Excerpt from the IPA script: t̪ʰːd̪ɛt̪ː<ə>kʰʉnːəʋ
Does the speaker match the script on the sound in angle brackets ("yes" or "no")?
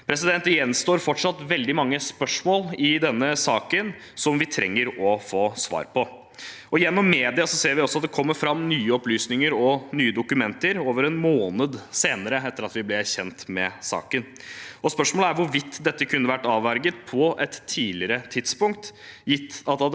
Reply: yes